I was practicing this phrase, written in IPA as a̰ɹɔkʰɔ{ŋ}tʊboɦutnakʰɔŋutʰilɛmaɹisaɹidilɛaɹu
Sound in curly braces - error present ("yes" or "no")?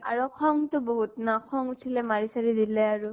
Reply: no